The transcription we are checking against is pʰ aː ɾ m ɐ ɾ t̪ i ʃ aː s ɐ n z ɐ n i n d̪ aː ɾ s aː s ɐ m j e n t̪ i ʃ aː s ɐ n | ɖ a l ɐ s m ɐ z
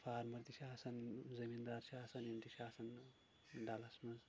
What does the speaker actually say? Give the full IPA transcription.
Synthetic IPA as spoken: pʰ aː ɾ m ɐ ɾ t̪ i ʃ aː s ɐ n z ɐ m i n d̪ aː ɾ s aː s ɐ n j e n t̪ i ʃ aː s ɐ n | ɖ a l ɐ s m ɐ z